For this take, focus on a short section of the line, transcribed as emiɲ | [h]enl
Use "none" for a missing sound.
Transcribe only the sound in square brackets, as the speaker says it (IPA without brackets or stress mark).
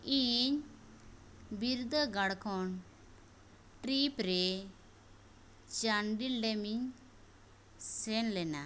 s